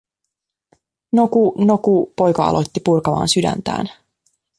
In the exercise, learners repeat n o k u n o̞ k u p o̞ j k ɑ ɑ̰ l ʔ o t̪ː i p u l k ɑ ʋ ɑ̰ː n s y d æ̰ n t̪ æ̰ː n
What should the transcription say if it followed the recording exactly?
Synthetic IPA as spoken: n o k u n o̞ k u p o̞ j k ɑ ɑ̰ l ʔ o t̪ː i p u r k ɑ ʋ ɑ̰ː n s y d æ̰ n t̪ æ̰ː n